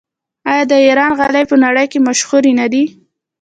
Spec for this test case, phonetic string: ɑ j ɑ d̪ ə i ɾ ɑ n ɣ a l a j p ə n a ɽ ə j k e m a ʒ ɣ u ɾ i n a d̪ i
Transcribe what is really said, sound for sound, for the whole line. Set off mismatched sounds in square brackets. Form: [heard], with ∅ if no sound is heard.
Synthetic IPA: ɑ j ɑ d̪ ə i ɾ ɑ n ɣ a l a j p ə n a ɽ ə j k e m a [ʃ] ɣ u ɾ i n a d̪ i